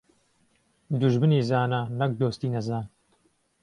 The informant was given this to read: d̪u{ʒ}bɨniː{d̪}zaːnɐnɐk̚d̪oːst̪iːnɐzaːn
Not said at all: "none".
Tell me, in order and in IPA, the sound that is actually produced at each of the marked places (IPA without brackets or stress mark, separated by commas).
ʒ, none